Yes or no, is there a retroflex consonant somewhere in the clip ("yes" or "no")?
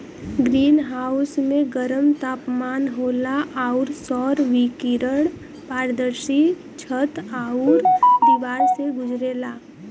yes